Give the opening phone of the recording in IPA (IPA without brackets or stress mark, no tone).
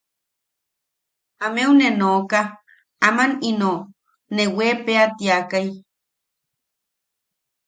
a